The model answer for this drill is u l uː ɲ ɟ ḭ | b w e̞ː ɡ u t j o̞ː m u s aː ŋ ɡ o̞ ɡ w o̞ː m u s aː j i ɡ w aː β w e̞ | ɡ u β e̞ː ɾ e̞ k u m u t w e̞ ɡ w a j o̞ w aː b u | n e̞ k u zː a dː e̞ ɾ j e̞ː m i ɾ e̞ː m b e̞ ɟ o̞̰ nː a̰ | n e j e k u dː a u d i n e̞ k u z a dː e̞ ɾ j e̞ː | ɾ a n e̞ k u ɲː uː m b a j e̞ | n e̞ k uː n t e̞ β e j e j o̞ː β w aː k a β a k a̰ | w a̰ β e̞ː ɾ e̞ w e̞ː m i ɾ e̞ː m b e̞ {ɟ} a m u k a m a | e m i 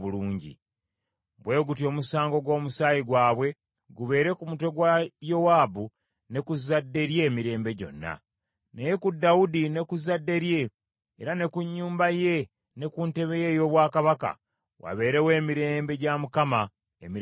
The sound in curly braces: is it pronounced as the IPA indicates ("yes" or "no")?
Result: yes